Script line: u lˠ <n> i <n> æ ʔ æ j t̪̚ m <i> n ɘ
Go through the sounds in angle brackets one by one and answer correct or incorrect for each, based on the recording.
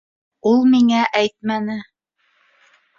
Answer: incorrect, incorrect, incorrect

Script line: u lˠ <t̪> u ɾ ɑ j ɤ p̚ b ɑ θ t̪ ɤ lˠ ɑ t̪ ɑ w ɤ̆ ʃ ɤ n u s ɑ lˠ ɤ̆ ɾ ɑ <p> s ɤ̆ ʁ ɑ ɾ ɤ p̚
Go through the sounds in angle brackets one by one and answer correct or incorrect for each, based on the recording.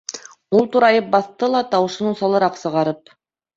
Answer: correct, incorrect

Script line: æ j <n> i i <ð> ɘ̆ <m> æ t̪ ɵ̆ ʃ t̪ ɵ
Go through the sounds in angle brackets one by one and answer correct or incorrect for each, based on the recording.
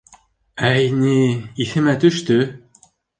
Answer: correct, incorrect, correct

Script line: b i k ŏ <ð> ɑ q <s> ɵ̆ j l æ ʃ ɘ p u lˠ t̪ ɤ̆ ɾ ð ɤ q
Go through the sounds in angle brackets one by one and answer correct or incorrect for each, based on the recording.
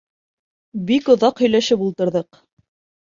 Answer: correct, incorrect

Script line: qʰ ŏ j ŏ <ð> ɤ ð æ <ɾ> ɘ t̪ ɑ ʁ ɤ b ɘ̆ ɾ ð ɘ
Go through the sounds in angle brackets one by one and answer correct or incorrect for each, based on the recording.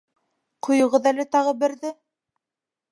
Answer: incorrect, incorrect

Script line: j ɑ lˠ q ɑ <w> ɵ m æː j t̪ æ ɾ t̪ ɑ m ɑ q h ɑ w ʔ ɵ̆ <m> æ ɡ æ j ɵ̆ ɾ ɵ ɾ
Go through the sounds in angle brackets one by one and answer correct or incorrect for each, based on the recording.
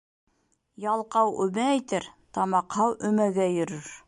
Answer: correct, correct

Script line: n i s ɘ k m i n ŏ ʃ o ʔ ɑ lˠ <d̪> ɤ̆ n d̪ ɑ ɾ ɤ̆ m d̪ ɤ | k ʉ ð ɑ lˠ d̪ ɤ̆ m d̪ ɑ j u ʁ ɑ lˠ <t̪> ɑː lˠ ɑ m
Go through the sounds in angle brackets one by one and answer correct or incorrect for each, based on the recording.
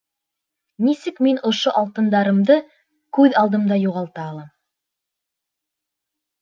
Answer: incorrect, correct

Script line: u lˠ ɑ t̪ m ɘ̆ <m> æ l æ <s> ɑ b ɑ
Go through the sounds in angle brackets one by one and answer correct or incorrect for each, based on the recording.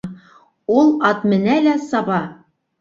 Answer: incorrect, correct

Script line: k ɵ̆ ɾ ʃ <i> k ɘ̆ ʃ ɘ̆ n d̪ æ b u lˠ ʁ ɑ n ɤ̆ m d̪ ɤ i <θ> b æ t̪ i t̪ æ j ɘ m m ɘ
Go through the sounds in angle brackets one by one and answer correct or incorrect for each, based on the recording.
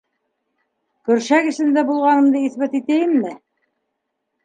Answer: incorrect, correct

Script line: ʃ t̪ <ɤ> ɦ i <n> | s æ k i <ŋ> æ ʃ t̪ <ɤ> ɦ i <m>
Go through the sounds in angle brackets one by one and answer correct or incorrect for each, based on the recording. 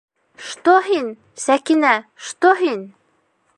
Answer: incorrect, correct, incorrect, incorrect, incorrect

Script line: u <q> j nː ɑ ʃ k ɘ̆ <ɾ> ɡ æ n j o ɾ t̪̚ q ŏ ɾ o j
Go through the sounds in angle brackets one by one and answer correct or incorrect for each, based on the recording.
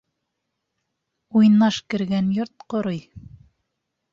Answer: incorrect, correct

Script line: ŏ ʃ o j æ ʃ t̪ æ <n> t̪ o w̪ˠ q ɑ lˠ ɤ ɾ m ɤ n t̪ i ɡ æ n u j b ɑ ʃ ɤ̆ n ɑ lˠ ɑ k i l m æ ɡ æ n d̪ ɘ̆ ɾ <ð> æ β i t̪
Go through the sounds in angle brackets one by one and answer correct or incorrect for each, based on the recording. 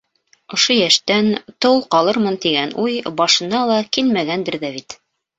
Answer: correct, correct

